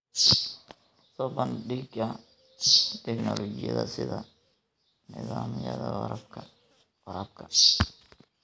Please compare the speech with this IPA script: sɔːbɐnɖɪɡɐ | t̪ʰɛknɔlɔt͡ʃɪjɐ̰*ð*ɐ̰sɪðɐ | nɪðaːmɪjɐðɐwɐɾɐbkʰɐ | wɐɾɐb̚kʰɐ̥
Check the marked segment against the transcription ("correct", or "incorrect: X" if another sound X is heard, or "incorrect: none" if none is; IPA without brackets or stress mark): correct